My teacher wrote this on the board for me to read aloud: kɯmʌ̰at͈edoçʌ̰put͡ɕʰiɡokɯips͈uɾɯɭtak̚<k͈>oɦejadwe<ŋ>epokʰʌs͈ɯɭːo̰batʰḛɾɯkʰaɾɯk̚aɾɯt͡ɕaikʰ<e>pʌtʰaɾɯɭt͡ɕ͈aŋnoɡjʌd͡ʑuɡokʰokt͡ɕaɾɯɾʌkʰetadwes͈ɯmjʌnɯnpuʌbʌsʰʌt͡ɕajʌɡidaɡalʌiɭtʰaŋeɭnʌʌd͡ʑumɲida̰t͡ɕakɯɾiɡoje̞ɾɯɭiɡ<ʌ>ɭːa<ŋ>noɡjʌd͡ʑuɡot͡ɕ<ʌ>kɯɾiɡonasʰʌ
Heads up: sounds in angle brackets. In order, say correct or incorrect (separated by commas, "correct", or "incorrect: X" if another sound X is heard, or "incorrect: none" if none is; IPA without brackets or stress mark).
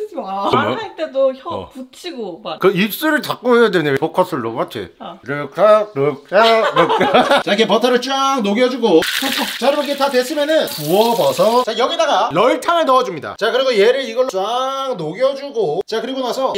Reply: correct, incorrect: n, correct, correct, correct, incorrect: a